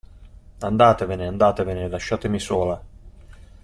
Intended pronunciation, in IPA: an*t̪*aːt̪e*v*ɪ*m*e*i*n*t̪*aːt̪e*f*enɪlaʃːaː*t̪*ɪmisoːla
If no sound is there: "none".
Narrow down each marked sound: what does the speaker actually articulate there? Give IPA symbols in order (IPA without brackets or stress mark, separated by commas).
d̪, v, n, a, d̪, v, t̪